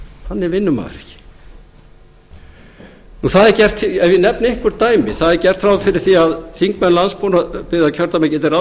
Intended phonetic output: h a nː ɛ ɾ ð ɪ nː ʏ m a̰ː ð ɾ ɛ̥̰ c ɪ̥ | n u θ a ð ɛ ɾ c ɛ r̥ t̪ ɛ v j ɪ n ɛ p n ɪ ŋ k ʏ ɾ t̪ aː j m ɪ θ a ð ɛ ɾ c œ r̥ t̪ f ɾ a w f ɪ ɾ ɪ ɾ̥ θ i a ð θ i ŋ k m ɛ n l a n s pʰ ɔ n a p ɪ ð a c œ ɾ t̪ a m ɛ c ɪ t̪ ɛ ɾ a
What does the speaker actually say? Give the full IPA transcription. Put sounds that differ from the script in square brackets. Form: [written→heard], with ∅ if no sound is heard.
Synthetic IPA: h a nː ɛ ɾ [ð→v] ɪ nː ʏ m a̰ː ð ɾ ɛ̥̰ c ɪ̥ | n u θ a ð ɛ ɾ c ɛ r̥ t̪ ɛ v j ɪ n ɛ p n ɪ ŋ k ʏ ɾ t̪ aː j m ɪ θ a ð ɛ ɾ c [œ→ɛ] r̥ t̪ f ɾ a w f ɪ ɾ ɪ ɾ̥ θ i a ð θ i ŋ k m ɛ n l a n s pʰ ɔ n a p ɪ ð a [c→cʰ] œ ɾ t̪ a m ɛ c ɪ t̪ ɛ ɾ a